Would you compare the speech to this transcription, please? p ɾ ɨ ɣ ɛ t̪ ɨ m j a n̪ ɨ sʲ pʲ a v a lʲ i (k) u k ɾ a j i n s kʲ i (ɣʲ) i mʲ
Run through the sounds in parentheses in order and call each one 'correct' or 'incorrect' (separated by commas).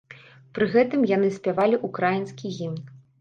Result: incorrect, correct